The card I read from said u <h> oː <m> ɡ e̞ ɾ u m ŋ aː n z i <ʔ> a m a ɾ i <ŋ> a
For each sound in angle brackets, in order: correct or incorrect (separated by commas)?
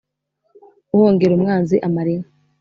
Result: correct, incorrect, correct, correct